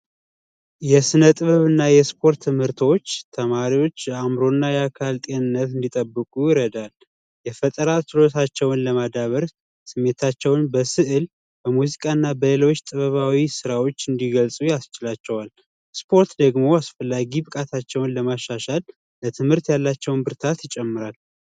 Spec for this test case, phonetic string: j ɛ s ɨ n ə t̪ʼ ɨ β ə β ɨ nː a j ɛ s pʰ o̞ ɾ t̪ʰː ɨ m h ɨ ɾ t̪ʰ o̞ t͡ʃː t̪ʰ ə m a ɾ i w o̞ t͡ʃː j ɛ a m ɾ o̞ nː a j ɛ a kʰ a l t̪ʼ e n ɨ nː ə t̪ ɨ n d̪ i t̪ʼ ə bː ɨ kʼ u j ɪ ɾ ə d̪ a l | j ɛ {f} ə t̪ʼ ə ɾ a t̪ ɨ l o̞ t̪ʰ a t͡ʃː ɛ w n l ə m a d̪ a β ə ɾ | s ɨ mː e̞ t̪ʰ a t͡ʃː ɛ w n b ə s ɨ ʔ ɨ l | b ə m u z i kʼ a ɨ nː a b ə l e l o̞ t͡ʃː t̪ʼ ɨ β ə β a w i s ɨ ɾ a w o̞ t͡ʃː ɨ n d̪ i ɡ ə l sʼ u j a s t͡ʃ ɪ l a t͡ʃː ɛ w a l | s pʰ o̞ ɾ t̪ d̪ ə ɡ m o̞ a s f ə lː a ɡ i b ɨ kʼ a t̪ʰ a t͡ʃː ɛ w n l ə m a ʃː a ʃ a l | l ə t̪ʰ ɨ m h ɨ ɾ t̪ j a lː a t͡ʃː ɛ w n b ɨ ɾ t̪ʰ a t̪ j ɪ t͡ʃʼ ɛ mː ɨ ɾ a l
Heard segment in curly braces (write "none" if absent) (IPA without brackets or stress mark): f